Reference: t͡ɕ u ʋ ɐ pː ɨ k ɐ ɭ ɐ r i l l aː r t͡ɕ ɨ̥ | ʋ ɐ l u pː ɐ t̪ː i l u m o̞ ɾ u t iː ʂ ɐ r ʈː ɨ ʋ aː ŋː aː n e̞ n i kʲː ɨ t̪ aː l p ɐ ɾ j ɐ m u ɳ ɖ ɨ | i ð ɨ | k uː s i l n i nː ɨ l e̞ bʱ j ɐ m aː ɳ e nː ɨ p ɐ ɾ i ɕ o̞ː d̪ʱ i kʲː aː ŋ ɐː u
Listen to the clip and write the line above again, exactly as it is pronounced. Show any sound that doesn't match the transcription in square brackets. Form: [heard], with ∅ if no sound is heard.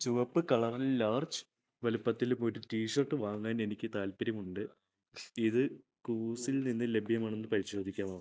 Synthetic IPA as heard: t͡ɕ u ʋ ɐ pː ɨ k ɐ ɭ ɐ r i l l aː r t͡ɕ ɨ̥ | ʋ ɐ l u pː ɐ t̪ː i l u m o̞ ɾ u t iː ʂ ɐ r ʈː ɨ ʋ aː ŋː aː n e̞ n i kʲː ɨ t̪ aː l p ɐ ɾ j ɐ m u ɳ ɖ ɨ | i ð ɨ | k uː s i l n i nː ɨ l e̞ bʱ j ɐ m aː ɳ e nː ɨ p ɐ ɾ i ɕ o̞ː d̪ʱ i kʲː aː [m] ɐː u